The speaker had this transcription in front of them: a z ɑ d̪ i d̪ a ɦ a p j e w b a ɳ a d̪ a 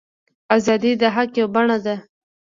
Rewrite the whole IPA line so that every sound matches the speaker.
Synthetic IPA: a z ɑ d̪ i d̪ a ɦ a k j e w b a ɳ a d̪ a